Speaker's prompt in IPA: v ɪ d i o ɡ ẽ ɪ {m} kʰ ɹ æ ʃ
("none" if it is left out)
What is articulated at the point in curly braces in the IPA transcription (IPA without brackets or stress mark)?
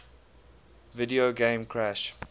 m